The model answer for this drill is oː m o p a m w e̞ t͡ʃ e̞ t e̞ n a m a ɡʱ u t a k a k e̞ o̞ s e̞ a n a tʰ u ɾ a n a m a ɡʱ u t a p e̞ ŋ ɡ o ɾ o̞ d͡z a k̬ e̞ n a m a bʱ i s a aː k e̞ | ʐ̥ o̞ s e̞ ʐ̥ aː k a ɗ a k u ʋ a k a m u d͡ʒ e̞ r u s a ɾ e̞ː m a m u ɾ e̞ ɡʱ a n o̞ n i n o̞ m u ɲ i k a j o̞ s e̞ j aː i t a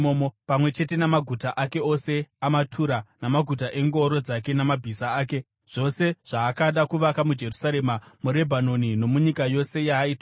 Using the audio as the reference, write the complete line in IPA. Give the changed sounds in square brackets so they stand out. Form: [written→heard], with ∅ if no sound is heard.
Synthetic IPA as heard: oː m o p a m w e̞ t͡ʃ e̞ t e̞ n a m a ɡʱ u t a [k→ʔ] a k e̞ o̞ s e̞ a [n→m] a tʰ u ɾ a n a m a ɡʱ u t a [p→ʔ] e̞ ŋ ɡ o ɾ o̞ d͡z a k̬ e̞ n a m a bʱ i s a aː k e̞ | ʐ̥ o̞ s e̞ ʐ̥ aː k a ɗ a k u ʋ a k a m u d͡ʒ e̞ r u s a ɾ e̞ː m a m u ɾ e̞ [ɡʱ→bʱ] a n o̞ n i n o̞ m u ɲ i k a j o̞ s e̞ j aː i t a